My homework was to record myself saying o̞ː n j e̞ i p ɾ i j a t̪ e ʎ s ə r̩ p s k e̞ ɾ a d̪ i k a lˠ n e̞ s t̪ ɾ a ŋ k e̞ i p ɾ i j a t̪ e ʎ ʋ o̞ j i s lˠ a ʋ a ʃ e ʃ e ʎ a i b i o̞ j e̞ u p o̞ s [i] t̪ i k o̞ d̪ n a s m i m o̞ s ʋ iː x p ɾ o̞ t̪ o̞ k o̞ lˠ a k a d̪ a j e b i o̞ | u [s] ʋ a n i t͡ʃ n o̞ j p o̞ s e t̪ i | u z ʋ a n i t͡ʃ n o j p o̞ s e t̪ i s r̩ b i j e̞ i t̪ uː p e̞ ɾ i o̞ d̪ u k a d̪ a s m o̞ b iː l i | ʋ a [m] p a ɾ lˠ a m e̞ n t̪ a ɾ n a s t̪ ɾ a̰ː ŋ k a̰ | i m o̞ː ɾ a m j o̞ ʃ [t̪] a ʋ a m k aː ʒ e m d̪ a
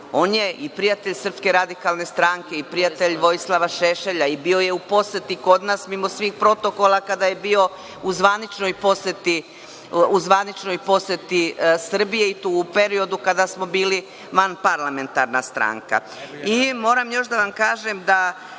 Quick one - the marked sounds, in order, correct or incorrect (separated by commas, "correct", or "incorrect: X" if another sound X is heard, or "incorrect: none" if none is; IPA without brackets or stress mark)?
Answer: incorrect: e, incorrect: z, incorrect: n, incorrect: d̪